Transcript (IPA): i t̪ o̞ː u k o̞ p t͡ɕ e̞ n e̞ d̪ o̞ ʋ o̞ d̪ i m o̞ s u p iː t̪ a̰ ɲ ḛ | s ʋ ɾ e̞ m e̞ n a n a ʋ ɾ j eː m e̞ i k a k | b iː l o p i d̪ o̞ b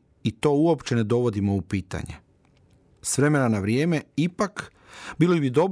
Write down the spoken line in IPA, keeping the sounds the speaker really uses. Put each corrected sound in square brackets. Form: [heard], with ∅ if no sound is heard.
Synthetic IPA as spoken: i t̪ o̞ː u [∅] o̞ p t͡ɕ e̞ n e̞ d̪ o̞ ʋ o̞ d̪ i m o̞ [∅] u p iː t̪ a̰ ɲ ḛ | s ʋ ɾ e̞ m e̞ n a n a ʋ ɾ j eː m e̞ i [p] a k | b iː l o [b] i d̪ o̞ b